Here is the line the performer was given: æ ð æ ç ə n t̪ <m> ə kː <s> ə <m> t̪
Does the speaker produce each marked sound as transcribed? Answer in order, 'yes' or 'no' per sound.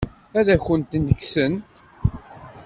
no, yes, no

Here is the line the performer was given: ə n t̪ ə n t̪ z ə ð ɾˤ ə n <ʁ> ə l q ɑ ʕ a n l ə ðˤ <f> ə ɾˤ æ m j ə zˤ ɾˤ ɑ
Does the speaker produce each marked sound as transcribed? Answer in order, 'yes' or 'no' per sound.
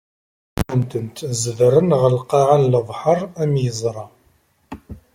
yes, no

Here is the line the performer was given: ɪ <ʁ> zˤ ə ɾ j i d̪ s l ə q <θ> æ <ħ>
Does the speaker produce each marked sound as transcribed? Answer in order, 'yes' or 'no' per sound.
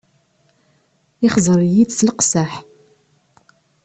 no, no, yes

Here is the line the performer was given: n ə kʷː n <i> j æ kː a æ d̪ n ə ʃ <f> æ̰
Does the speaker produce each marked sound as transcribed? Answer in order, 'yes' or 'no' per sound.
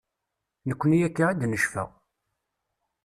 yes, yes

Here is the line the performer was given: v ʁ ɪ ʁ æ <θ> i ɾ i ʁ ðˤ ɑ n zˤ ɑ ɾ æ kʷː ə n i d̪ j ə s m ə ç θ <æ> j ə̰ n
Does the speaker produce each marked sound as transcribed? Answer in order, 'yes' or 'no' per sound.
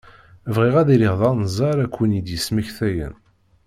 no, yes

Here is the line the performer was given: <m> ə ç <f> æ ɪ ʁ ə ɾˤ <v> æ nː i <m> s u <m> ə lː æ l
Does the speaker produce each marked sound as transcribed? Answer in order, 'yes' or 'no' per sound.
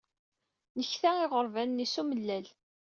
no, no, yes, no, yes

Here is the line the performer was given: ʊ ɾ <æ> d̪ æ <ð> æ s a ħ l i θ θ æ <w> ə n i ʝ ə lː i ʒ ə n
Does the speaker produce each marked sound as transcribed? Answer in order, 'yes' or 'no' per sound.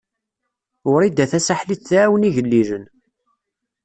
no, no, yes

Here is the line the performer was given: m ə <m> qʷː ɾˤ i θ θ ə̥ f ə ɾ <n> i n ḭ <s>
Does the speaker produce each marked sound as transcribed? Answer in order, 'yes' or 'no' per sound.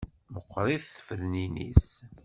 no, yes, yes

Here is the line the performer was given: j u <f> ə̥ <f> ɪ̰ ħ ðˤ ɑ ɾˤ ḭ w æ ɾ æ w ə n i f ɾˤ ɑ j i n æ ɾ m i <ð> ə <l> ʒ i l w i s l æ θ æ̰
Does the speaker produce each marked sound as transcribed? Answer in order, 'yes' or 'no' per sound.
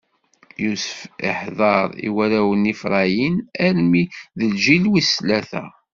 no, yes, yes, yes

